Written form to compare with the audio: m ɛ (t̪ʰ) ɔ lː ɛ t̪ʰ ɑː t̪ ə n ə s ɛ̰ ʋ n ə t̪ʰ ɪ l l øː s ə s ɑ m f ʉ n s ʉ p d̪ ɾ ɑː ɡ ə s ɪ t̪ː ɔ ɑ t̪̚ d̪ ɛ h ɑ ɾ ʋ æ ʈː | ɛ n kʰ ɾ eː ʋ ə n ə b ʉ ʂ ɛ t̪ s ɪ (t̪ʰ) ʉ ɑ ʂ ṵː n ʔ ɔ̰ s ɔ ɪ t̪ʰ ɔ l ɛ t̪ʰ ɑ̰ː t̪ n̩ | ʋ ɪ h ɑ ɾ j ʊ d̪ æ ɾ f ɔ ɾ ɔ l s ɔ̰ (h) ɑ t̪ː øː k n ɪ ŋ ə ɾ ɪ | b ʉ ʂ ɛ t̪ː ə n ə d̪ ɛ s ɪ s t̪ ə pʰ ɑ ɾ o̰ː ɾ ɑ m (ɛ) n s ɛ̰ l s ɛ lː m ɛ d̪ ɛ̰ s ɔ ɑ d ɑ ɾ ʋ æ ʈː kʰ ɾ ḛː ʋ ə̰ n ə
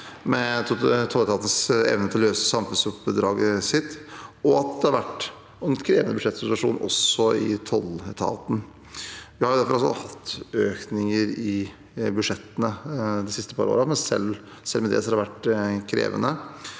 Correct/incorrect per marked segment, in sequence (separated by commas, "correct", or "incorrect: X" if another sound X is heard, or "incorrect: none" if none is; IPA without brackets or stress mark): correct, incorrect: t̪, correct, correct